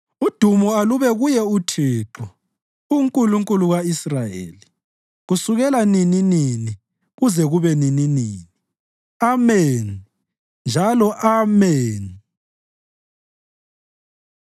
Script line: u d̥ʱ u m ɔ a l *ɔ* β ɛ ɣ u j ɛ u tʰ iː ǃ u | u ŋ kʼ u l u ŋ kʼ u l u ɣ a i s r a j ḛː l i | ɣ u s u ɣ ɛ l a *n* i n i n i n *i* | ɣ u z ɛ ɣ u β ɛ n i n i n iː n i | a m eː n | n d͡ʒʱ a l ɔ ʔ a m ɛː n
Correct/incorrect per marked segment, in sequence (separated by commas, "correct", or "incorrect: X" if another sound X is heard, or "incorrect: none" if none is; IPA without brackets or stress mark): incorrect: u, correct, correct